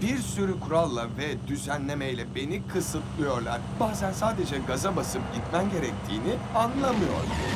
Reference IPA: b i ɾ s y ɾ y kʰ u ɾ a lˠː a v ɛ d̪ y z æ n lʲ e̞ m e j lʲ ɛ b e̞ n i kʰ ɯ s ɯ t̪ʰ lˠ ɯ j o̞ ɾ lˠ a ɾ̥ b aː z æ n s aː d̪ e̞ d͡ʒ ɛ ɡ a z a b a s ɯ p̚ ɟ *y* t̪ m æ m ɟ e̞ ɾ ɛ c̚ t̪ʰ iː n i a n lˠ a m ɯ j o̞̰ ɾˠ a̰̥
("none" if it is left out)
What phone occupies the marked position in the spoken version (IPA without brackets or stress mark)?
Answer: i